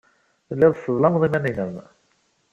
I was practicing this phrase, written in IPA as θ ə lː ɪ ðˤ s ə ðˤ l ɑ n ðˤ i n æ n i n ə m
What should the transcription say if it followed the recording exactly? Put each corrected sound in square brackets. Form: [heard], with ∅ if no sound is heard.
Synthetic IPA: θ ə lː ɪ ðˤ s ə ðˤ l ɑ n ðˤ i [m] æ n i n ə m